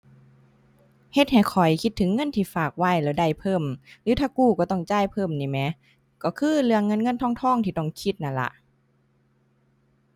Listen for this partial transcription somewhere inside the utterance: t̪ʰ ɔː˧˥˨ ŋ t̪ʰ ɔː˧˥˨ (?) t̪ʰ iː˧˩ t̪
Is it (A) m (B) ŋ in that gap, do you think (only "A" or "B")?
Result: B